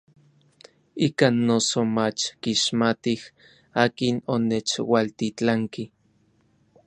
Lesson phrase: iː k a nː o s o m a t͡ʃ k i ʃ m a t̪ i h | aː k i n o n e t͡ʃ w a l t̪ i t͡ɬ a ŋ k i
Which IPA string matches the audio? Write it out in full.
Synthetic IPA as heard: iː k a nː o s o m a t͡ʃ k i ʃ m a t̪ i h | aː k i n o n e t͡ʃ w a l t̪ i t͡ɬ a ŋ k i